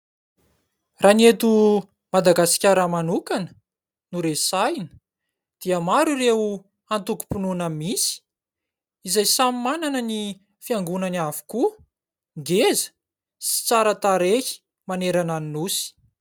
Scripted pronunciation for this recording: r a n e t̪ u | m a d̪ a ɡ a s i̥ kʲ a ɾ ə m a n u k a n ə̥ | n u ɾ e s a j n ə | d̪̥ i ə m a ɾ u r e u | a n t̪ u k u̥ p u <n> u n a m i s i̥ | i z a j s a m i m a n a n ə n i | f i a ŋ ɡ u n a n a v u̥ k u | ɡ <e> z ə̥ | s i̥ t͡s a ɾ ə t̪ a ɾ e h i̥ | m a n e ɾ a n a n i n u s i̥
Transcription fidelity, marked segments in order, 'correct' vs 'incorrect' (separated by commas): correct, correct